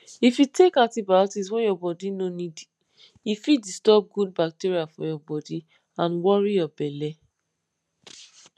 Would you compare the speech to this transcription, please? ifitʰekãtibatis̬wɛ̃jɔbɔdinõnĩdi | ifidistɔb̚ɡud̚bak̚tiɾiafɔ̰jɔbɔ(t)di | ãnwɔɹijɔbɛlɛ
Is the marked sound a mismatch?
yes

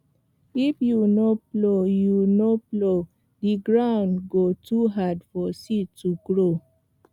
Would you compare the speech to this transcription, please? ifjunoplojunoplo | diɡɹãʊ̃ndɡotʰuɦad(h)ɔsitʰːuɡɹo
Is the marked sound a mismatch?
yes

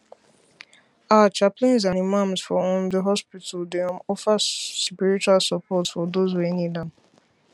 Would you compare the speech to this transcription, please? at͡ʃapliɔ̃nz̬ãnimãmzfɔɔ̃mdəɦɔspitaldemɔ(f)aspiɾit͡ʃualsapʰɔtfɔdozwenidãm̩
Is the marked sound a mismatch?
no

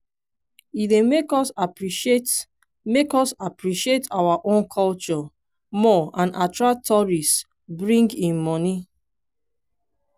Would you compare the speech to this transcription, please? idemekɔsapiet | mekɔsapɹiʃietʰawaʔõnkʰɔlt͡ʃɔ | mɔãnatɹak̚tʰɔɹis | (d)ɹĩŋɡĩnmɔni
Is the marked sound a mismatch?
yes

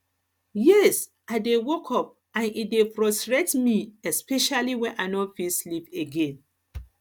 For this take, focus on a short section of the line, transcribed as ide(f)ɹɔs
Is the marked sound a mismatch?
no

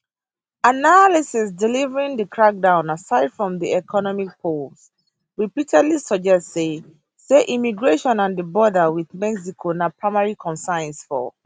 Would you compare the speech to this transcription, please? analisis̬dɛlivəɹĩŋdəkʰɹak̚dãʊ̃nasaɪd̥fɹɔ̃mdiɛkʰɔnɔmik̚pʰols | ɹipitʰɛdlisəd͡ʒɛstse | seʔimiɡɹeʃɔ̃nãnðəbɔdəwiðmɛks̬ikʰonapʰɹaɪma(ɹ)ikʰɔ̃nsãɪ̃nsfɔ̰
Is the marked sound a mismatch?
no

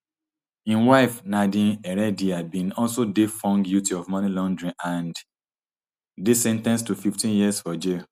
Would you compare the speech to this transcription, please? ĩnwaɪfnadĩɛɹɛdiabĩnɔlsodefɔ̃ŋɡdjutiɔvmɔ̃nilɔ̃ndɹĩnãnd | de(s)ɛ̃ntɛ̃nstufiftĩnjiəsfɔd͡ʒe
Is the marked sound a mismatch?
no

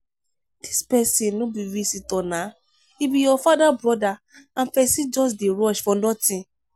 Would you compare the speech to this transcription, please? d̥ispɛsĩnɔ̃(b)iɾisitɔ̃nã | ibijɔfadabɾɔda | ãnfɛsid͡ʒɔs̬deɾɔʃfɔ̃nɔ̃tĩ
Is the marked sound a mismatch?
no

